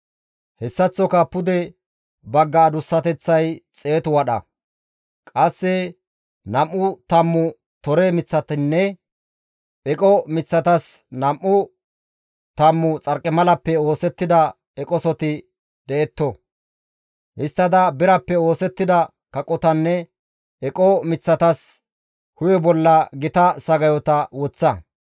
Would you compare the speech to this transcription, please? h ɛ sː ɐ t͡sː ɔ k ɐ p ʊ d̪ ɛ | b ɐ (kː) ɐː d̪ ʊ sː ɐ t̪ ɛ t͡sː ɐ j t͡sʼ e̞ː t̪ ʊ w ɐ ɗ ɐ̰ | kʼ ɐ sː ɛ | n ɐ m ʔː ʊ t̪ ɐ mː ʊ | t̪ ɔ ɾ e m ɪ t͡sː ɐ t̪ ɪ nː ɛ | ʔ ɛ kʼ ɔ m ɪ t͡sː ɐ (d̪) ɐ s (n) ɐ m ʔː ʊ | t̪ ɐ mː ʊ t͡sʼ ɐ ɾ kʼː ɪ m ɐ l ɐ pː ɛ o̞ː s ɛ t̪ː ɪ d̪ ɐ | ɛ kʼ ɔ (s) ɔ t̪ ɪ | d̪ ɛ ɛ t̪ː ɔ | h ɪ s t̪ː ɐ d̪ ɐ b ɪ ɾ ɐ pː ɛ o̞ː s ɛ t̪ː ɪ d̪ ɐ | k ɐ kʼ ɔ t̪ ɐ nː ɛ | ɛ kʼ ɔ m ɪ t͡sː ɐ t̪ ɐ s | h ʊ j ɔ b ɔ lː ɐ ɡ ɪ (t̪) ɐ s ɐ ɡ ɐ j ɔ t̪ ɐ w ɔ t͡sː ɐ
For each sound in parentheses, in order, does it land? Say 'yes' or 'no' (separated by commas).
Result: no, no, yes, yes, yes